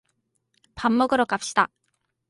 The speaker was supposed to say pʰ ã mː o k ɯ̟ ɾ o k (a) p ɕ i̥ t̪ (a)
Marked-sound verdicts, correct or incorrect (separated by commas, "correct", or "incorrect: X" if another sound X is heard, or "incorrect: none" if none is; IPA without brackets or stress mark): correct, correct